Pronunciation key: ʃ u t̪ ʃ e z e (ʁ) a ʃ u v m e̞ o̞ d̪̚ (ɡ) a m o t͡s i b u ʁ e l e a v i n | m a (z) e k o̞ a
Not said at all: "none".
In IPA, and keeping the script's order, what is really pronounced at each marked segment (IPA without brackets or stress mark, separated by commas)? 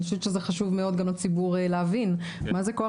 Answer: χ, ɡ, z